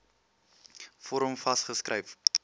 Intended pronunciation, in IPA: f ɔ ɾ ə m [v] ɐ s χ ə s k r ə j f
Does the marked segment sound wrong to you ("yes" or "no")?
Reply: yes